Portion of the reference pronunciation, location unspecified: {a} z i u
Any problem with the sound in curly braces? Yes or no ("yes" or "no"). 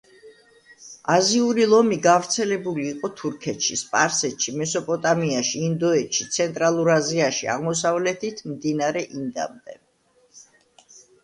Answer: no